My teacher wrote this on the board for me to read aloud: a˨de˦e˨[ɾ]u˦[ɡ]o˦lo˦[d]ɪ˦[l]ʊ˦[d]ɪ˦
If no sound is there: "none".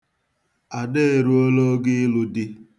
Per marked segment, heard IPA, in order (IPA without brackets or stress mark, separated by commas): ɾ, none, ɡ, l, d